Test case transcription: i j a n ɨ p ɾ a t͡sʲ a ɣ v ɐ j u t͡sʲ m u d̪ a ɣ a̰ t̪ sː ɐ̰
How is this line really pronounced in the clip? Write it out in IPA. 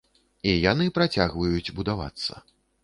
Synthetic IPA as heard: i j a n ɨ p ɾ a t͡sʲ a ɣ v ɐ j u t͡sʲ b u d̪ a v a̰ t̪ sː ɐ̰